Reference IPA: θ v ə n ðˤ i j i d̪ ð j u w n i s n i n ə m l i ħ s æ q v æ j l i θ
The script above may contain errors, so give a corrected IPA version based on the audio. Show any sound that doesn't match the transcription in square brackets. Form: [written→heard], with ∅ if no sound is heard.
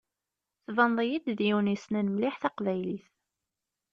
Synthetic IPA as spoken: θ v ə n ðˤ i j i d̪ ð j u w n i s n [i→æ] n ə m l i ħ [s→θ] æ q v æ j l i θ